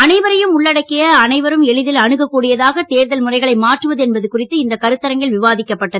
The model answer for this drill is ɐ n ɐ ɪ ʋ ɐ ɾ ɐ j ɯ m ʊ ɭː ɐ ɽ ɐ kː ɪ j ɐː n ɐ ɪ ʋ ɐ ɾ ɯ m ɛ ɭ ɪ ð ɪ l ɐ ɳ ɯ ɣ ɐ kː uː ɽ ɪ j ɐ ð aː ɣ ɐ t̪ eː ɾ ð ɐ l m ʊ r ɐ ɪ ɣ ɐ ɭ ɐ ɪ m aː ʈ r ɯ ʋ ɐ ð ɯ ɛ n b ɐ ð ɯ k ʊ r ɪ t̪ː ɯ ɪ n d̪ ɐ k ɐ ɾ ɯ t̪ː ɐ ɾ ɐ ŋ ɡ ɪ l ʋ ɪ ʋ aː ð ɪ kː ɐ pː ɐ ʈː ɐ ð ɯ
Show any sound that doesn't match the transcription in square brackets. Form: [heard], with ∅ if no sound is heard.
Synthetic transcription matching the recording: ɐ n ɐ ɪ ʋ ɐ ɾ ɐ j ɯ m ʊ ɭː ɐ ɽ ɐ kː ɪ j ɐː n ɐ ɪ ʋ ɐ ɾ ɯ m ɛ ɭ ɪ ð ɪ l ɐ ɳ ɯ ɣ ɐ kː uː ɽ ɪ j ɐ ð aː ɣ ɐ t̪ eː ɾ ð ɐ l m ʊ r ɐ ɪ ɣ ɐ ɭ ɐ ɪ m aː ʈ r ɯ ʋ ɐ ð ɯ ɛ n b ɐ ð ɯ k ʊ r ɪ t̪ː ɯ ɪ n d̪ ɐ k ɐ ɾ ɯ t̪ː ɐ ɾ ɐ ŋ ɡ ɪ l ʋ ɪ ʋ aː ð ɪ kː ɐ pː ɐ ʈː ɐ ð ɯ